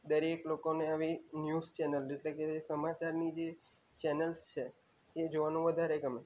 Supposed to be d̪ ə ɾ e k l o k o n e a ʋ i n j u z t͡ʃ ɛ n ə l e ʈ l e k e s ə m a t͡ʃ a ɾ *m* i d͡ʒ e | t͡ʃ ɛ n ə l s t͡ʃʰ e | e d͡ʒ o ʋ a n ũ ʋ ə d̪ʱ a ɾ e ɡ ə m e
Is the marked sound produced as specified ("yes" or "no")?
no